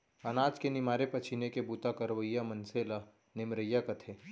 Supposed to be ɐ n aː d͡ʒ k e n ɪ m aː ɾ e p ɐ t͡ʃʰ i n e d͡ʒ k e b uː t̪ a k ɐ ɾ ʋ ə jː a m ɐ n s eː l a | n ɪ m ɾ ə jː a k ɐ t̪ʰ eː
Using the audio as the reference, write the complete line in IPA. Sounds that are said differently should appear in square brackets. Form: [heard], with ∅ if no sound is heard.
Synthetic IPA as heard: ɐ n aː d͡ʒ k e n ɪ m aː ɾ e p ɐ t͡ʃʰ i n e [∅] k e b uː t̪ a k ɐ ɾ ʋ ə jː a m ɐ n s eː l a | n ɪ m ɾ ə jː a k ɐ t̪ʰ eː